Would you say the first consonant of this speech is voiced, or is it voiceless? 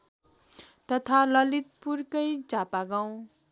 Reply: voiceless